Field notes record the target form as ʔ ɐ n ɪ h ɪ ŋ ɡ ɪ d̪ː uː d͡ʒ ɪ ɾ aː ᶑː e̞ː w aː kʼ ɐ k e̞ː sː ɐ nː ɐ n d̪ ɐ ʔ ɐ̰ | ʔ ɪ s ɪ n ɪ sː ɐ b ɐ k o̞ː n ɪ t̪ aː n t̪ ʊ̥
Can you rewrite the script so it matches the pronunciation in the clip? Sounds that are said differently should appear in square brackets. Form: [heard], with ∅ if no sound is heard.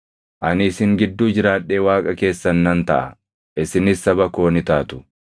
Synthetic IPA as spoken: ʔ ɐ n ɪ [s] ɪ ŋ ɡ ɪ d̪ː uː d͡ʒ ɪ ɾ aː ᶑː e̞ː w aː kʼ ɐ k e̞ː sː ɐ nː ɐ n [t̪] ɐ ʔ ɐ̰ | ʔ ɪ s ɪ n ɪ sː ɐ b ɐ k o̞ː n ɪ t̪ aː [∅] t̪ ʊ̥